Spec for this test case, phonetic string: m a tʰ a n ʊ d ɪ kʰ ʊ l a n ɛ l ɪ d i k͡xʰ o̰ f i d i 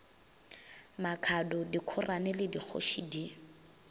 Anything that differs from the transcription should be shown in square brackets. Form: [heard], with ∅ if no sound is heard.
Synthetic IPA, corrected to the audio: m a [kʰ] a [d] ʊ d [i] kʰ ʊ [r] a n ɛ l ɪ d i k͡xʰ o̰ [ʃ] i d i

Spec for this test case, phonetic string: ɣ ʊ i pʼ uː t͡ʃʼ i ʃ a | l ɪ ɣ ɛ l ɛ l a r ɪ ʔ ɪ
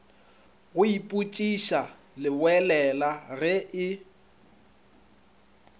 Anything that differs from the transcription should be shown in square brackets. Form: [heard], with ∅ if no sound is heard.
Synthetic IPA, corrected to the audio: ɣ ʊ i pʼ [u] t͡ʃʼ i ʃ a | l ɪ [w] ɛ l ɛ l a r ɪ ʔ ɪ

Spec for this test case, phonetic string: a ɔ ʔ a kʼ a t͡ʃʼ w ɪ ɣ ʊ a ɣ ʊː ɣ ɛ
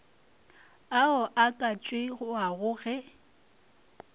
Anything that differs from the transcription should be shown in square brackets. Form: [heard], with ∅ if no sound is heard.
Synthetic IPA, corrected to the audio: a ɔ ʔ a kʼ a t͡ʃʼ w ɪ ɣ ʊ a ɣ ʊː ɣ ɛ

